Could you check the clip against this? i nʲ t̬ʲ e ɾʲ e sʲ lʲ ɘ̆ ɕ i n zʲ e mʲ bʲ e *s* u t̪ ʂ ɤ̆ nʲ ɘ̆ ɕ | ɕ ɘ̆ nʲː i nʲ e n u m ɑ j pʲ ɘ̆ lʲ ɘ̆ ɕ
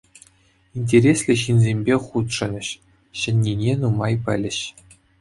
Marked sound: incorrect: χ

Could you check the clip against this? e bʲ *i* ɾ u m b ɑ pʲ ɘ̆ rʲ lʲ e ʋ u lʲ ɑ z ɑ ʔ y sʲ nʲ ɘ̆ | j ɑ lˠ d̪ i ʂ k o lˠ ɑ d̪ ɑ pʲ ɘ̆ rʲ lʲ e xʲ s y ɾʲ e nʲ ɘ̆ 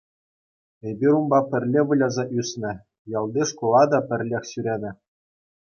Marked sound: correct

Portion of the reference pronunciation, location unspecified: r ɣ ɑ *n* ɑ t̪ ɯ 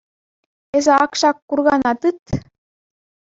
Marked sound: correct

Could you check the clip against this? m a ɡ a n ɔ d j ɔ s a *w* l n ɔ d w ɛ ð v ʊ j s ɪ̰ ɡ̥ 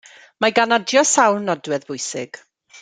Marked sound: correct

